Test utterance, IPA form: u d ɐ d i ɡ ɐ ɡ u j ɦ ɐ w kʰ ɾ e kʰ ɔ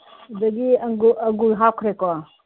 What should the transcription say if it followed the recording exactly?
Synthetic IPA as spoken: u d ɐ ɡ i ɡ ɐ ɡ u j ɦ a w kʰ ɾ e k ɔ